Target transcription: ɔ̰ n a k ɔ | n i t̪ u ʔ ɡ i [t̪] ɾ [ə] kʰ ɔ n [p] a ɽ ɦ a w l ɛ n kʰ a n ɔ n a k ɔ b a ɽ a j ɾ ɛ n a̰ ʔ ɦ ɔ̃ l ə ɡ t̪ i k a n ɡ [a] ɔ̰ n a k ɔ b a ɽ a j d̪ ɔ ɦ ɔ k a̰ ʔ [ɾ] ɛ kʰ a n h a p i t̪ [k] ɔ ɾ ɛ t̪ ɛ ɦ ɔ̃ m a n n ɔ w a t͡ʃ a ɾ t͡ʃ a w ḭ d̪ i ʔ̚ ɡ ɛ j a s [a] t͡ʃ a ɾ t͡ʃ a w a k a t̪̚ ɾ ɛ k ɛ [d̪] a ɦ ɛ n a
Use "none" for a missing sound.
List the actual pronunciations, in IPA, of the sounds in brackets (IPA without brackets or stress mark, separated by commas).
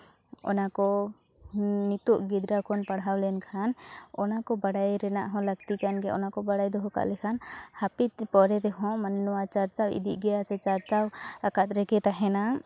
d̪, a, p, ɛ, l, p, ɛ, t̪